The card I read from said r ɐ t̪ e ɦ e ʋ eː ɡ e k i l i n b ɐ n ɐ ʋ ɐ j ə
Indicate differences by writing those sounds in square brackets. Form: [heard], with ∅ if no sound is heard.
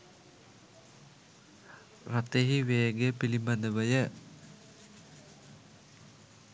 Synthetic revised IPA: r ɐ t̪ e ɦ [i] ʋ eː ɡ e [p] i l i [m] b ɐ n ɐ ʋ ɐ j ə